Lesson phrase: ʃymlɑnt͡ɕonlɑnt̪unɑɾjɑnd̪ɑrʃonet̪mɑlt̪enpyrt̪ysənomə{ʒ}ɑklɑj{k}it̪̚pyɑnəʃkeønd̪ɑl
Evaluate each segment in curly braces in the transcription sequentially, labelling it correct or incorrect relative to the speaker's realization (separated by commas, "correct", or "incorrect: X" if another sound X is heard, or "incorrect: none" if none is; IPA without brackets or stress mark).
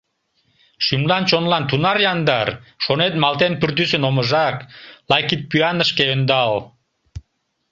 correct, correct